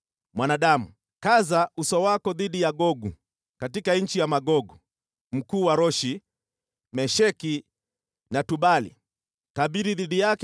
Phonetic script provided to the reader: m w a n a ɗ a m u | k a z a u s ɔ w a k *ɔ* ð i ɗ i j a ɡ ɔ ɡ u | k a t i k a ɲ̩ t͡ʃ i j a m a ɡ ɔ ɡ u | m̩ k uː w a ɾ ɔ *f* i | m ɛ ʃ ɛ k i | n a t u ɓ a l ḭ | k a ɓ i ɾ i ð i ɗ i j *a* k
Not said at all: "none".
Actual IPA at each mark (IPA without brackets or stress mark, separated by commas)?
ɔ, ʃ, a